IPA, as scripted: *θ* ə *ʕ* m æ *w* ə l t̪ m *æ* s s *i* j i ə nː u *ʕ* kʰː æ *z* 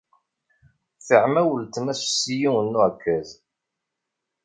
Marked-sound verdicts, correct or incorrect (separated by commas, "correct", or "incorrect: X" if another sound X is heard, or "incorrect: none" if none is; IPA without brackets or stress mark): correct, correct, correct, correct, correct, correct, correct